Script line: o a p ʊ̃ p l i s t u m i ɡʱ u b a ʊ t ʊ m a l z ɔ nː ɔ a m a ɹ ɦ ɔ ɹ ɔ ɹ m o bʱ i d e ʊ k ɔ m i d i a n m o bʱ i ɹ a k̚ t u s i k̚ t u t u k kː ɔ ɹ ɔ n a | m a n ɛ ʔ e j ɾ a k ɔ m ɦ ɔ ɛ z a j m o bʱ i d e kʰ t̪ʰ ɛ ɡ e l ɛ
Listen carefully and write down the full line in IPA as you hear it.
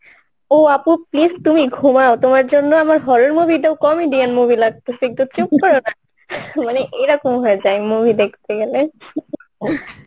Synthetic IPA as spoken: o a p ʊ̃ p l i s t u m i ɡʱ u m a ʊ t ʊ m a ɹ z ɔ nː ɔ a m a ɹ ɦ ɔ ɹ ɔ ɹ m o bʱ i d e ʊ k ɔ m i d i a n m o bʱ i l a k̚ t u s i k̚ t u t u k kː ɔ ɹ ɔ n a | m a n ɛ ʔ e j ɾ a k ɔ m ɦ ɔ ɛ z a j m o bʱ i d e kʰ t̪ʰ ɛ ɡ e l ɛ